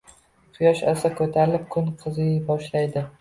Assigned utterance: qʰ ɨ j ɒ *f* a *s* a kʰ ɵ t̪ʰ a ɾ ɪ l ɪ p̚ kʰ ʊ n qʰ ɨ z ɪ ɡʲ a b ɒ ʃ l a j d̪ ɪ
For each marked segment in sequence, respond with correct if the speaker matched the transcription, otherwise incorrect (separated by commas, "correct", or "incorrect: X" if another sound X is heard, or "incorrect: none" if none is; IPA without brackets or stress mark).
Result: incorrect: ʃ, correct